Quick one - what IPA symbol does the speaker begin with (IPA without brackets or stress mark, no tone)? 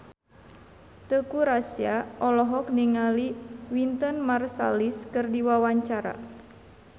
t̪